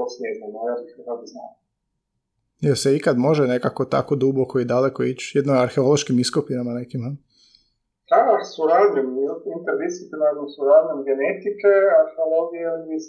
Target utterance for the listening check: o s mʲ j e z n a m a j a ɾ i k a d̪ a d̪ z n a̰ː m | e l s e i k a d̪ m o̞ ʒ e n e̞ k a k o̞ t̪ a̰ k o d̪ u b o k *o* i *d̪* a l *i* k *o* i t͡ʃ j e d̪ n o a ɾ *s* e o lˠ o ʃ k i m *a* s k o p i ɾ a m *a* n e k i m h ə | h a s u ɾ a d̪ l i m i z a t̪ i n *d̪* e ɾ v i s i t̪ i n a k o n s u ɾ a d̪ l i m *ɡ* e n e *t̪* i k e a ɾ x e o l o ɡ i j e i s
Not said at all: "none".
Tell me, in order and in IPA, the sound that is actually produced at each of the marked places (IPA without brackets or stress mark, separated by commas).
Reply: o, d̪, e, o, x, i, a, t̪, ɡ, t̪